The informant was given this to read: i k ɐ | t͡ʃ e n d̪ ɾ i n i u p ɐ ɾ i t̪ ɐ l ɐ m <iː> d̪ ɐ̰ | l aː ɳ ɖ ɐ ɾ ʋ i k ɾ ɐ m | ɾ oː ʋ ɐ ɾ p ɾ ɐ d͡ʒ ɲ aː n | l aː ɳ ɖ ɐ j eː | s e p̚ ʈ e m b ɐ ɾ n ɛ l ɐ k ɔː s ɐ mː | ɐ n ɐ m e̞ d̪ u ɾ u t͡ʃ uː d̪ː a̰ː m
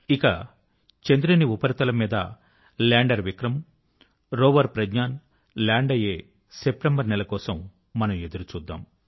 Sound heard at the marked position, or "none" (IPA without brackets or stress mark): iː